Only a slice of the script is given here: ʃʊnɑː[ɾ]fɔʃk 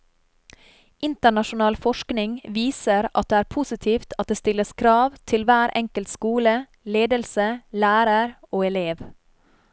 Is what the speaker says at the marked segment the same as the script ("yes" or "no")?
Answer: no